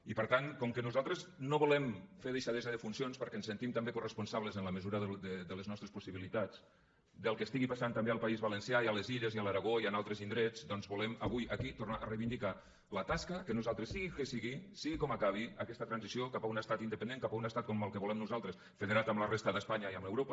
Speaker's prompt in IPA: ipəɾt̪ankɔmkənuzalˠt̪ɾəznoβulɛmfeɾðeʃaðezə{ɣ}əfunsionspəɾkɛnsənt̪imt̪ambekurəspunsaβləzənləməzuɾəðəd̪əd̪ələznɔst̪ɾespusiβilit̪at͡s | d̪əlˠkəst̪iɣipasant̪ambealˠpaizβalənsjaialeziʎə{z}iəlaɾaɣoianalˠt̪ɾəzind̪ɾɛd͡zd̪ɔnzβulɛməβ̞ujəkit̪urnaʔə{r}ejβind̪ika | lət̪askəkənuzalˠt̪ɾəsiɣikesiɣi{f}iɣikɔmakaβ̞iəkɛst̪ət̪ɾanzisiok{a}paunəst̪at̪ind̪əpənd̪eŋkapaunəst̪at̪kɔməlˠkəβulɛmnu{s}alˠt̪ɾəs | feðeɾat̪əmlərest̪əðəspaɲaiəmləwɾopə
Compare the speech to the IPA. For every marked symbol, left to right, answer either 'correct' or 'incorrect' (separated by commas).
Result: incorrect, correct, correct, incorrect, correct, incorrect